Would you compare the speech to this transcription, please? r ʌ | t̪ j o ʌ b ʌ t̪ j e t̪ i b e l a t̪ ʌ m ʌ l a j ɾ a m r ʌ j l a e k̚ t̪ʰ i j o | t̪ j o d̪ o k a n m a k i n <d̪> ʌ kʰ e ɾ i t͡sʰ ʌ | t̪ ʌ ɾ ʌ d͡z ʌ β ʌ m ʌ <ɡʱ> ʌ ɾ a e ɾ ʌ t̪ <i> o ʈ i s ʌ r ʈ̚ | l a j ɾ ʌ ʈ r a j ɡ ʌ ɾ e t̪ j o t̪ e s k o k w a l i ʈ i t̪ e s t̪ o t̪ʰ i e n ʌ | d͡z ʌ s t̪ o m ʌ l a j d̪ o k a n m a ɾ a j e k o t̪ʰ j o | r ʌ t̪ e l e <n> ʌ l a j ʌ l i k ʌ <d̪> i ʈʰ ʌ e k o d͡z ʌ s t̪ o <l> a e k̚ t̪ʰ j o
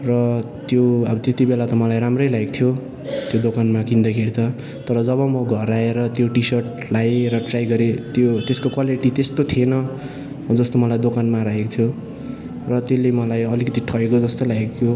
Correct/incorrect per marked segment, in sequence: correct, correct, incorrect: j, incorrect: m, incorrect: t̪, correct

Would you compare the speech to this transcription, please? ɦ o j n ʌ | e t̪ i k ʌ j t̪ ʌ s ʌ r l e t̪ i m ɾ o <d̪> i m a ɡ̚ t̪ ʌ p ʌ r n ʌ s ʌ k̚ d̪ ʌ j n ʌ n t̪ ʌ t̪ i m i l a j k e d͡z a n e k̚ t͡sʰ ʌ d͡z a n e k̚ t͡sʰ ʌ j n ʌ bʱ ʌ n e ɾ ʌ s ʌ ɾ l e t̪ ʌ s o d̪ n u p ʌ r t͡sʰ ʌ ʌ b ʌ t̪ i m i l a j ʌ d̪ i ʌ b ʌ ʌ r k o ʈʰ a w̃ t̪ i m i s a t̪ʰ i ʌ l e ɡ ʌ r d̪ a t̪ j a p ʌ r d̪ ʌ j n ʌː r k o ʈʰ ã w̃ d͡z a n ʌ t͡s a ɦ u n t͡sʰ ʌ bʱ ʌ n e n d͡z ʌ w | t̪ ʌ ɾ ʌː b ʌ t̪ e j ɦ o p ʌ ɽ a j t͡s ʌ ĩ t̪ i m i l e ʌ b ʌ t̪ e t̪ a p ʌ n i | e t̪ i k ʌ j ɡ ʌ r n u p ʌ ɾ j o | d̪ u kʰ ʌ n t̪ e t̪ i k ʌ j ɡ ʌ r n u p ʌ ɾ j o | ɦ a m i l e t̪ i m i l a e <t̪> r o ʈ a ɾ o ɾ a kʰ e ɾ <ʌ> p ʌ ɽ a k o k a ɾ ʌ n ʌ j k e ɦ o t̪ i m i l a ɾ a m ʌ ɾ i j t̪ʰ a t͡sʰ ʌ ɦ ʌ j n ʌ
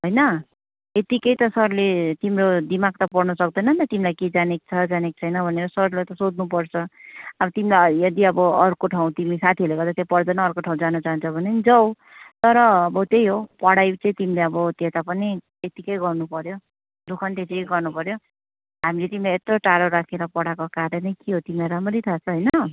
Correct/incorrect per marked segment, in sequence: correct, correct, correct

